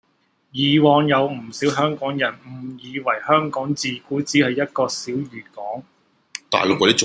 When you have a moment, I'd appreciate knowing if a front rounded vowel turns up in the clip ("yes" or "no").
yes